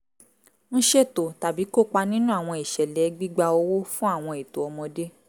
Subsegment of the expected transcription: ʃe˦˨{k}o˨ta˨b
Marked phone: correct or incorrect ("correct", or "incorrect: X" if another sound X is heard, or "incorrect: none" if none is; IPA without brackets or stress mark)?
incorrect: t